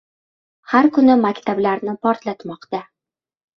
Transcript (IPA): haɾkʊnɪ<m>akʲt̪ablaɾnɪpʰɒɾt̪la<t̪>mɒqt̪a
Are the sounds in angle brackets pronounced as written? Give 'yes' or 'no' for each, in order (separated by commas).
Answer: yes, yes